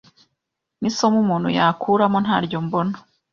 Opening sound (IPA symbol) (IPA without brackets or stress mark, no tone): n